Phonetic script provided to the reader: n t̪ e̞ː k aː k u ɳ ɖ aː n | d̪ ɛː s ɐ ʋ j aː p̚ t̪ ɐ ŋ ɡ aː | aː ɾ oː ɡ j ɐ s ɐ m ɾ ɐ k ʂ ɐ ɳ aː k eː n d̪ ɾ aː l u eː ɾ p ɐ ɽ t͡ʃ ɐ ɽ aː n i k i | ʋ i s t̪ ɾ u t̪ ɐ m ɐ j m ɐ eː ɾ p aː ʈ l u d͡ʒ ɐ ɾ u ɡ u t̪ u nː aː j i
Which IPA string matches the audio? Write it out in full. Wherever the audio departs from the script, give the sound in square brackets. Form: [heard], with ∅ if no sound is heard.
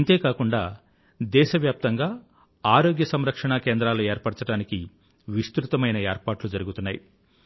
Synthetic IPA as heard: n t̪ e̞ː k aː k u ɳ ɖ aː [∅] | d̪ ɛː [ʃ] ɐ ʋ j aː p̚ t̪ ɐ ŋ ɡ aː | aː ɾ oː ɡ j ɐ s ɐ m ɾ ɐ k ʂ ɐ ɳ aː k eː n d̪ ɾ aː l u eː ɾ p ɐ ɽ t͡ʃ ɐ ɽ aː n i k i | ʋ i s t̪ ɾ u t̪ ɐ m ɐ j [n] ɐ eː ɾ p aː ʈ l u d͡ʒ ɐ ɾ u ɡ u t̪ u nː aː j i